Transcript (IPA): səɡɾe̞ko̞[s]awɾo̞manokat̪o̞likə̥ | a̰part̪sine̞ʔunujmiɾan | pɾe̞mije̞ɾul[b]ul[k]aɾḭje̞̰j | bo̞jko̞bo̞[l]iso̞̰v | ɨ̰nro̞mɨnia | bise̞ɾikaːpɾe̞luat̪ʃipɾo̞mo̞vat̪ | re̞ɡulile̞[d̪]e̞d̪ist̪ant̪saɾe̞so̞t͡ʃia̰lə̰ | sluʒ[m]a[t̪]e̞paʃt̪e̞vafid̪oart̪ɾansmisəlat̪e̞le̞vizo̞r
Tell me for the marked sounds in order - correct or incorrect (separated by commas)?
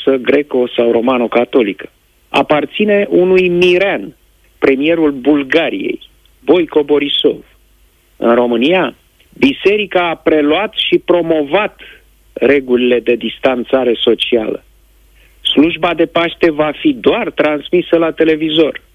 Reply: correct, correct, incorrect, incorrect, correct, incorrect, incorrect